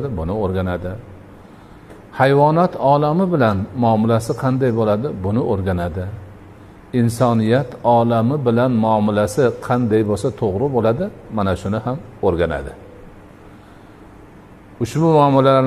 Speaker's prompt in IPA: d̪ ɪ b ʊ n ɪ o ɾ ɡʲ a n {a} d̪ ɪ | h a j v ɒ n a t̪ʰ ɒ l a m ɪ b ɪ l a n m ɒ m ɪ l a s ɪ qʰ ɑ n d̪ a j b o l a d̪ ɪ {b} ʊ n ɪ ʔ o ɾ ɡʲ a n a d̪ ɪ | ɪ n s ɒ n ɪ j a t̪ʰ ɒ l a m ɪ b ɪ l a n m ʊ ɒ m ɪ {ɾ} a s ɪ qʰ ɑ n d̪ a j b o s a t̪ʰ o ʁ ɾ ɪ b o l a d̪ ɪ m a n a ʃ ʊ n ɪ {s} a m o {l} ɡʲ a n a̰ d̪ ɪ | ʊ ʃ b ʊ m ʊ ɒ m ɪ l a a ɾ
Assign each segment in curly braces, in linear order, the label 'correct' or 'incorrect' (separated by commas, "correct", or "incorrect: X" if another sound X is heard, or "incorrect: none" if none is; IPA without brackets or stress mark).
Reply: correct, correct, incorrect: l, incorrect: h, incorrect: ɾ